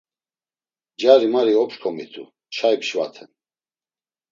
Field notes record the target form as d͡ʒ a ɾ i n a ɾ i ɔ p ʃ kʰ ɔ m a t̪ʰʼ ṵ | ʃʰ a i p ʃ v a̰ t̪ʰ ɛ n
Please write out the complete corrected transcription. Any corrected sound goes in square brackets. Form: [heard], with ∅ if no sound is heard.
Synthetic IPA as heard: d͡ʒ a ɾ i [m] a ɾ i ɔ p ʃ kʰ ɔ m [i] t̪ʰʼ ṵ | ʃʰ a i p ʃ v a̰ t̪ʰ ɛ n